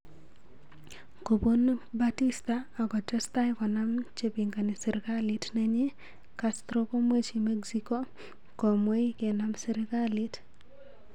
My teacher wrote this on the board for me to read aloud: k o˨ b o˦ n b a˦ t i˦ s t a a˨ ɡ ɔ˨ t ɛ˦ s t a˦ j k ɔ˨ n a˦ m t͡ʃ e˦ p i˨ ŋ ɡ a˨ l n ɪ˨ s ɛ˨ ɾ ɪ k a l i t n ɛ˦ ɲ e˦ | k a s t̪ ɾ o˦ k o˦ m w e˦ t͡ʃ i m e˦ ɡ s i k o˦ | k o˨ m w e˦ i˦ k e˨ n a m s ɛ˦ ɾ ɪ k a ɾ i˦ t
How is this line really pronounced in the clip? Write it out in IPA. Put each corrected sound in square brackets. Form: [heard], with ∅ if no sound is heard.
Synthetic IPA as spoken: k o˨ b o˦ n b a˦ t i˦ s t a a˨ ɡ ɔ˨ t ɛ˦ s t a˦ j k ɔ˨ n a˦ m t͡ʃ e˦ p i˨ ŋ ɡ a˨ [∅] n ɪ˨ s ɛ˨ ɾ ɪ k a l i t n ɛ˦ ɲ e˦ | k a s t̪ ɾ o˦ k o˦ m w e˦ t͡ʃ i m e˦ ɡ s i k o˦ | k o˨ m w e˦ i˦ k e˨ n a m s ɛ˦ ɾ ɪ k a [l] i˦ t

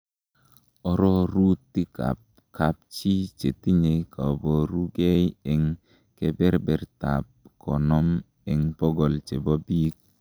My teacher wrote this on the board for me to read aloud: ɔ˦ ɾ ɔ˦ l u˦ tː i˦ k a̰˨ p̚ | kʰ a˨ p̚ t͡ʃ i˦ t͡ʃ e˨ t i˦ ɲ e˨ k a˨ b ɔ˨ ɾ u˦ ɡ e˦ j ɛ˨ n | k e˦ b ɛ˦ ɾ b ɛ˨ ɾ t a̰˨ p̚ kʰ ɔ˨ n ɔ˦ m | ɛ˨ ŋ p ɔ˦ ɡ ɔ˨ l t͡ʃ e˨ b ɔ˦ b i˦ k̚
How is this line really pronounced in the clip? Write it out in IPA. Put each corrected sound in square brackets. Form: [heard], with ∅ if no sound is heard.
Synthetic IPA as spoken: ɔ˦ ɾ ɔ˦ [ɾ] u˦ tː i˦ k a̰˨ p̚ | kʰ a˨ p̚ t͡ʃ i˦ t͡ʃ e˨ t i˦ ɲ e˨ k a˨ b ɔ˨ ɾ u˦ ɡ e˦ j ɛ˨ [ŋ] | k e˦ b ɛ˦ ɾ b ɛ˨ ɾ t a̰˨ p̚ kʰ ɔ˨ n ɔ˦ m | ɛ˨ ŋ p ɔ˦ ɡ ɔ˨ l t͡ʃ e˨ b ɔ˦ b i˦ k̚

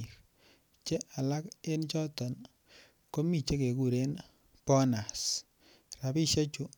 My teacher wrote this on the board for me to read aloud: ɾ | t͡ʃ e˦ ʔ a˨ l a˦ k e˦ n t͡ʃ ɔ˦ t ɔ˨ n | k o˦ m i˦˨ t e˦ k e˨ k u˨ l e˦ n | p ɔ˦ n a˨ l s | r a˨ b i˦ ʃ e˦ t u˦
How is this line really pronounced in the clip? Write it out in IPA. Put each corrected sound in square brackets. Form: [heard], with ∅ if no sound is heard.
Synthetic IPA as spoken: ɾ | t͡ʃ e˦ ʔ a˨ l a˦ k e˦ n t͡ʃ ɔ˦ t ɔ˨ n | k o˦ m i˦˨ [t͡ʃ] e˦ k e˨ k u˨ [ɾ] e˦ n | p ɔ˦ n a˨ [∅] s | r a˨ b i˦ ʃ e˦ [t͡ʃ] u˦

